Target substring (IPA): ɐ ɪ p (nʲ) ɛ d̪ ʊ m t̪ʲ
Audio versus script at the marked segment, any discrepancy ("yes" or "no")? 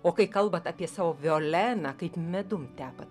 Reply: yes